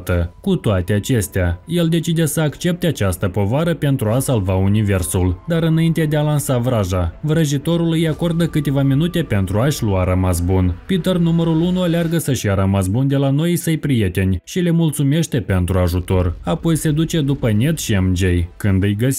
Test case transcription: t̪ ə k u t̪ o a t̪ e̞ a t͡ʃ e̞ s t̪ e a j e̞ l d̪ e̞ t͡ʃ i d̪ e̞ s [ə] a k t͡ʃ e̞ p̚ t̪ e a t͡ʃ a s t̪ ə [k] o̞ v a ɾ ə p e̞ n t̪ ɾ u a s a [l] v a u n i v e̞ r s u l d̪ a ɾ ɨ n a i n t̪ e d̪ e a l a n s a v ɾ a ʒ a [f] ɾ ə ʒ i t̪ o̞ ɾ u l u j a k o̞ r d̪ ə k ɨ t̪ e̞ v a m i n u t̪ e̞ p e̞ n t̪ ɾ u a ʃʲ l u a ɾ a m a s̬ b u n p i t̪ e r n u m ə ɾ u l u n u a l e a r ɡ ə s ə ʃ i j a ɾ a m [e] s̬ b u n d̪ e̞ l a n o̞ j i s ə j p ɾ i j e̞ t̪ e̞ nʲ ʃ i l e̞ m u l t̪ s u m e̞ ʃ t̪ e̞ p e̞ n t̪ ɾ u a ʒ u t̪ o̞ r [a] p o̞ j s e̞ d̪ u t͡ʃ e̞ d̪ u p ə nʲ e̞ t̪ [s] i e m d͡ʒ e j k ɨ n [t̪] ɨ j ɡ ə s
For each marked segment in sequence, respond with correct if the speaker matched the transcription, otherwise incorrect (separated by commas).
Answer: correct, incorrect, correct, incorrect, incorrect, correct, incorrect, incorrect